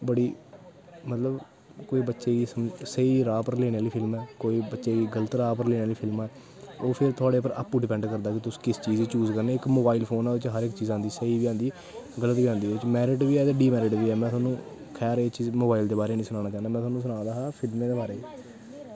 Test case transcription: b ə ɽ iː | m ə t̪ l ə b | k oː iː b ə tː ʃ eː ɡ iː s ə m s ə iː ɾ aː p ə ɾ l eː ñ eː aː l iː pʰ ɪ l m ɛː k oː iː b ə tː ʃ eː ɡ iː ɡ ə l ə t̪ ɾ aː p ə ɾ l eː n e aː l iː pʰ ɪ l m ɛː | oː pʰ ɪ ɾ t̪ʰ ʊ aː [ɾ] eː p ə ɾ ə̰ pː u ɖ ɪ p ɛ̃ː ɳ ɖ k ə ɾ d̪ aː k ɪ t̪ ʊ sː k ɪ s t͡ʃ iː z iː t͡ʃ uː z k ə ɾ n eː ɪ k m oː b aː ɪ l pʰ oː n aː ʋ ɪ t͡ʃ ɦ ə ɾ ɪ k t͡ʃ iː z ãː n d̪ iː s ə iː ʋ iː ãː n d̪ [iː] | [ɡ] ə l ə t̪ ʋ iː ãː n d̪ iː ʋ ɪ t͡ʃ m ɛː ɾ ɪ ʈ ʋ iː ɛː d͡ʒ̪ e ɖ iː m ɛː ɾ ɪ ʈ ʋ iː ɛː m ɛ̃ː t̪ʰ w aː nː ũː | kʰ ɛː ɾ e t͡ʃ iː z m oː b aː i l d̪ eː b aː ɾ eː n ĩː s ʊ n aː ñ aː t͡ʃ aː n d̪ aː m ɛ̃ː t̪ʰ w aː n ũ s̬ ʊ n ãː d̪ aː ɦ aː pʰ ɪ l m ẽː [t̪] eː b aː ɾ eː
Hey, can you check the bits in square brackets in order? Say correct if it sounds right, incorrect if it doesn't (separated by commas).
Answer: incorrect, correct, correct, incorrect